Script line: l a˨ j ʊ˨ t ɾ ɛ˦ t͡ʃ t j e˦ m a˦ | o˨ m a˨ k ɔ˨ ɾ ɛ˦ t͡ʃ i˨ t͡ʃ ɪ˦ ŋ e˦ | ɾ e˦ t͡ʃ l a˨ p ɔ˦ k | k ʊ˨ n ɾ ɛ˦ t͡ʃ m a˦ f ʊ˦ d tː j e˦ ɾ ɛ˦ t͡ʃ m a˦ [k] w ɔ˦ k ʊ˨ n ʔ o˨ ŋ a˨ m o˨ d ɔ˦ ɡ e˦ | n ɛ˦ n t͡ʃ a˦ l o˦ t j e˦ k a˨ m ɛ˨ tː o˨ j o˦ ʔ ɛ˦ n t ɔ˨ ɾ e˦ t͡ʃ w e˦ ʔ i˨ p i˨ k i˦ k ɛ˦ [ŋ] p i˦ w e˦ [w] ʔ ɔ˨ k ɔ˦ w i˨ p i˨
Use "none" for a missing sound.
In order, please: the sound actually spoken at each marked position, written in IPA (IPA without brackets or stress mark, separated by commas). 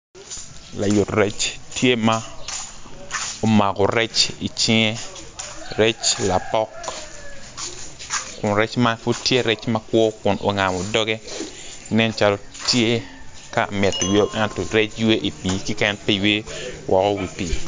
k, n, w